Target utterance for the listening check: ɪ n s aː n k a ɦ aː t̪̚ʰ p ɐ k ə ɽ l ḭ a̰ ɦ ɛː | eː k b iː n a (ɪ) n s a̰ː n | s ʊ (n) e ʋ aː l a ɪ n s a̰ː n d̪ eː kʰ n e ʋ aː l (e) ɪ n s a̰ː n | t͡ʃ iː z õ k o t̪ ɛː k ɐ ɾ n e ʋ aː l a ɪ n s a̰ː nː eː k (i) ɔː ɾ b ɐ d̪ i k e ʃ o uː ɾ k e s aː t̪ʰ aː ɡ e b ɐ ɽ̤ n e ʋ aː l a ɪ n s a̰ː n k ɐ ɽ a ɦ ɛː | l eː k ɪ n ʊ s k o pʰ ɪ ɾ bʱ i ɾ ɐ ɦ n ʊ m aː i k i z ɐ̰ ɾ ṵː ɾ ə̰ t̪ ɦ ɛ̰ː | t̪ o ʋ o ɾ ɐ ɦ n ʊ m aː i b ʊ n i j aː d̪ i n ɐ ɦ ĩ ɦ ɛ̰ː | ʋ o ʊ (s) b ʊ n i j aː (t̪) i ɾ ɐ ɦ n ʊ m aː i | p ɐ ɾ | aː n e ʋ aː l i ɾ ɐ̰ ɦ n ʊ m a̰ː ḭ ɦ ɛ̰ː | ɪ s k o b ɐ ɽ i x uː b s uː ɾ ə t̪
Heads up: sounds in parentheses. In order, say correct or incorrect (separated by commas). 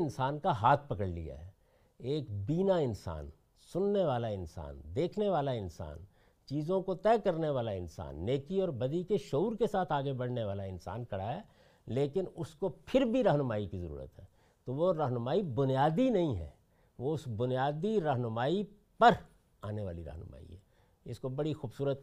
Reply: correct, incorrect, incorrect, correct, correct, incorrect